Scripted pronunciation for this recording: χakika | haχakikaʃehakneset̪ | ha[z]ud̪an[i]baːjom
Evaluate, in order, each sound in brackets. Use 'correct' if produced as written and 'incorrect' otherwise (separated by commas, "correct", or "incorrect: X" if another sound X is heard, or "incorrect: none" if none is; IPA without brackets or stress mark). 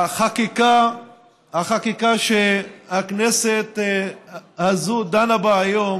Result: correct, incorrect: a